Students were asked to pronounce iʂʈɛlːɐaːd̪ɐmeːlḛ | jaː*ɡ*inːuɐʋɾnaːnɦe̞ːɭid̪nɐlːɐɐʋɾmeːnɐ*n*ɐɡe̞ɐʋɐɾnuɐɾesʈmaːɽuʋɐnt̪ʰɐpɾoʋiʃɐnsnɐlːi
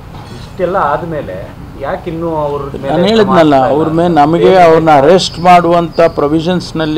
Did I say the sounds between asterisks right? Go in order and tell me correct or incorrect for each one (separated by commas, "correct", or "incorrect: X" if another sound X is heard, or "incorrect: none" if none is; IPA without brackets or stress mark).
incorrect: k, incorrect: m